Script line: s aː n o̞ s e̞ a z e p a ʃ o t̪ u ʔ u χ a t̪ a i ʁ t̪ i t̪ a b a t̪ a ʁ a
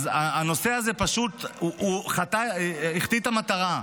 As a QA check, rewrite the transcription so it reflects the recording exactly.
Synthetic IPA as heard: z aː n o̞ s e̞ a z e p a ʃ u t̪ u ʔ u χ a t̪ a i χ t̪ i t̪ a m a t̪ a ʁ a